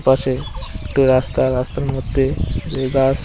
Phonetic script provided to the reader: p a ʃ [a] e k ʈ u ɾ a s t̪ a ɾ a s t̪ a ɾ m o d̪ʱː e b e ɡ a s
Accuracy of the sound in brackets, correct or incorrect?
incorrect